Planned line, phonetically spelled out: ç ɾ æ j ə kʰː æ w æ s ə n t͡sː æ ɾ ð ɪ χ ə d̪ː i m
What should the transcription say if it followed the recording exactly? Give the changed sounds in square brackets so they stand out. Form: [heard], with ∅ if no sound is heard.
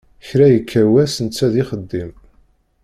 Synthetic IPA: ç ɾ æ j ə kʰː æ w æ s ə n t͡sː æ [∅] ð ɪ χ ə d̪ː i m